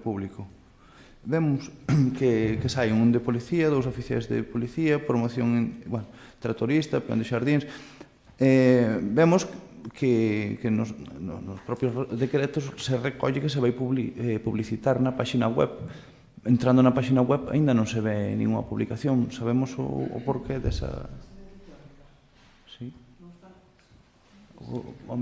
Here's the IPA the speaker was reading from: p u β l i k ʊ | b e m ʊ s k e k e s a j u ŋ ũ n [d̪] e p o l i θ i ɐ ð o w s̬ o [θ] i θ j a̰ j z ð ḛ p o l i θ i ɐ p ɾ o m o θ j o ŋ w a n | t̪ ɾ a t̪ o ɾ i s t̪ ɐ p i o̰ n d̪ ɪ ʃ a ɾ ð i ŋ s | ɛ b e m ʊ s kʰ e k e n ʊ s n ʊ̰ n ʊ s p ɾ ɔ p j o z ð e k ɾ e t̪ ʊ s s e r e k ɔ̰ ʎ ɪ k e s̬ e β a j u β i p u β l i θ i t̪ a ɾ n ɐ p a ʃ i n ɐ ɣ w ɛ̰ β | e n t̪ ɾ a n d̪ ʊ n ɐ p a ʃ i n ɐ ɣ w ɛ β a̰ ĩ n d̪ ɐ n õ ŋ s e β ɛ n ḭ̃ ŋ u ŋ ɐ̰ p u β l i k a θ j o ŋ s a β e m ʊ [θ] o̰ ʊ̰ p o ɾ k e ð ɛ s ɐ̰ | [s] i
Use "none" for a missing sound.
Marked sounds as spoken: d̪, f, s, s

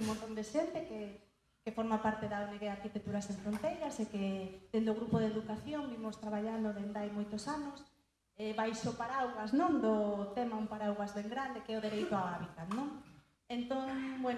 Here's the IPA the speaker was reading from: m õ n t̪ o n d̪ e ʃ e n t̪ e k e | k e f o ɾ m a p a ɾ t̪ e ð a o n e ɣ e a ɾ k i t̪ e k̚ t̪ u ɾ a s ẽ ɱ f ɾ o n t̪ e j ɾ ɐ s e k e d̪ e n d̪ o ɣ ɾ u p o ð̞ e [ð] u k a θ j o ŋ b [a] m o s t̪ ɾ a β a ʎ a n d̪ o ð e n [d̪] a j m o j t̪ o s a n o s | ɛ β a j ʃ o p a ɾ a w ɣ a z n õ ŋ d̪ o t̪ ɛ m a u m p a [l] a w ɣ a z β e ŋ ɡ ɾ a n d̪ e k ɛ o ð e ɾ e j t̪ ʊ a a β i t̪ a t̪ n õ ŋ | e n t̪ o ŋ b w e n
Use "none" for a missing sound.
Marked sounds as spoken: ð, i, d̪, ɾ

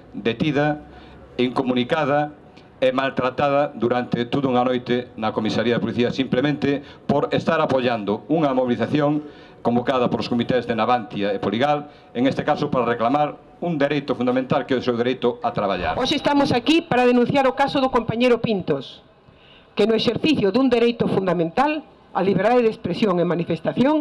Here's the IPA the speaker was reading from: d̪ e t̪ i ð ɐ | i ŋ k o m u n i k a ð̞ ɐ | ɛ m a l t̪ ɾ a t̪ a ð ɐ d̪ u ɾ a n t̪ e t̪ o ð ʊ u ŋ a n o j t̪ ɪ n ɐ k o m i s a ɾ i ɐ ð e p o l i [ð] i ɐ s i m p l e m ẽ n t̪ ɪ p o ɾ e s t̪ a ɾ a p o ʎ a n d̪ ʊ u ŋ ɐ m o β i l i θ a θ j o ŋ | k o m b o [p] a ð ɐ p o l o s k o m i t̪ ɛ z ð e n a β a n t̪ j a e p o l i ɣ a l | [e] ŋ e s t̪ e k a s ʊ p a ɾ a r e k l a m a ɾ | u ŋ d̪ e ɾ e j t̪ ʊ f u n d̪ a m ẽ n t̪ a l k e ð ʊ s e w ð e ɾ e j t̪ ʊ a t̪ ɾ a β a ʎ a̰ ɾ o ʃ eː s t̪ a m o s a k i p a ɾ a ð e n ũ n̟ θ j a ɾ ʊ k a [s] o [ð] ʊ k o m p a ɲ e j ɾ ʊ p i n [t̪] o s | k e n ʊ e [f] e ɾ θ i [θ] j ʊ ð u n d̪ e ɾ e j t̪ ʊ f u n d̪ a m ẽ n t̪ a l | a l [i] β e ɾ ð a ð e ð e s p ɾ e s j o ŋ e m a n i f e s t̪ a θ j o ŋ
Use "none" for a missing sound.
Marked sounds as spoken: θ, k, e, s, ð, t̪, ʃ, θ, i

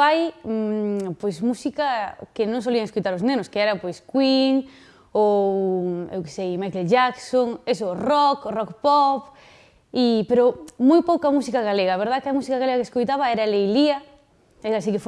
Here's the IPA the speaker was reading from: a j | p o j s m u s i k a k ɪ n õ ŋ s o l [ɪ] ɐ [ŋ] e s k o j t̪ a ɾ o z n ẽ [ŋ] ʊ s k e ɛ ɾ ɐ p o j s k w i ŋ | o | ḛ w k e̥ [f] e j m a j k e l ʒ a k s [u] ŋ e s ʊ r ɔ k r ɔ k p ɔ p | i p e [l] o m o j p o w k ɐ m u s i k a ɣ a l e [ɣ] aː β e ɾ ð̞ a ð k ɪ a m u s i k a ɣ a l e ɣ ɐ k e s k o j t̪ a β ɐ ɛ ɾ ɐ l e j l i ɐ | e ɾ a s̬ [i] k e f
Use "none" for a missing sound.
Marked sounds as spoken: i, ŋ, n, s, o, ɾ, ɣ, i

